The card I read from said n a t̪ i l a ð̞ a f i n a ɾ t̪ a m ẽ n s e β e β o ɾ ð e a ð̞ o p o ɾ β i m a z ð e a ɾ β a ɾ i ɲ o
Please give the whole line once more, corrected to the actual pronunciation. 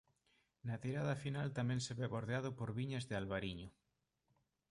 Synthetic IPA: n a t̪ i ɾ a ð̞ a f i n a l t̪ a m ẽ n s e β e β o ɾ ð e a ð̞ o p o ɾ β i ɲ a z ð e a l β a ɾ i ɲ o